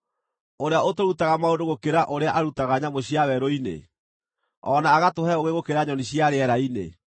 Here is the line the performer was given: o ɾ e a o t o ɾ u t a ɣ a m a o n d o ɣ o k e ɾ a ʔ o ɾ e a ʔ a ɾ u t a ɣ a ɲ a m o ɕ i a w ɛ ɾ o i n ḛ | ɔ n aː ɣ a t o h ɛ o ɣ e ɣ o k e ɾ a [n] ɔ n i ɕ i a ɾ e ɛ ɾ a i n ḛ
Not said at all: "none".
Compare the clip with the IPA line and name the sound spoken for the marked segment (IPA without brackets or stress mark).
ɲ